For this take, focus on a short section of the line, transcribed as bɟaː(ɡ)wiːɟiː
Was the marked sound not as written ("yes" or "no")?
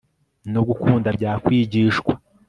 yes